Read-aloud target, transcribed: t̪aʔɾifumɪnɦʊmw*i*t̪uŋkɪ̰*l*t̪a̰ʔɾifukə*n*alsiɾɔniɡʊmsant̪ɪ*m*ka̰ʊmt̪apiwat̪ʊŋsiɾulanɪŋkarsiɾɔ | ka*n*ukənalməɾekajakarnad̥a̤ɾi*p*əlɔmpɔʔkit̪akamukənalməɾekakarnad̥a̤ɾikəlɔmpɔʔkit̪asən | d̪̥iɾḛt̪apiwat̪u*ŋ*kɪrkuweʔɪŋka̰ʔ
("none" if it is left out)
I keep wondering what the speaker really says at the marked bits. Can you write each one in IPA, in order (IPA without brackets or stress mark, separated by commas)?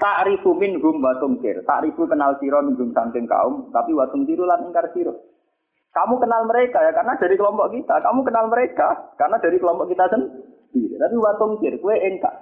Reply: a, r, n, ŋ, m, k, ŋ